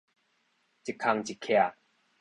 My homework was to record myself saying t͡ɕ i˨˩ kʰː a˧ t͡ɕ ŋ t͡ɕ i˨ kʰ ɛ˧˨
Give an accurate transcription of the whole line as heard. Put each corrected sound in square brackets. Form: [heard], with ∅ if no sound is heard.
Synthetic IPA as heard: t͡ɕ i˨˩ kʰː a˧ [∅] ŋ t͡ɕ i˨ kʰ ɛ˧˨